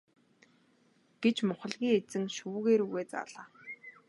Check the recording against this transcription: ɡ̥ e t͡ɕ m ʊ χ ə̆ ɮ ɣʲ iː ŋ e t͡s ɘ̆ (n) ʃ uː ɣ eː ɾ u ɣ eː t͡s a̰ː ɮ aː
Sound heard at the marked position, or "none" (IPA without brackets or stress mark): ŋ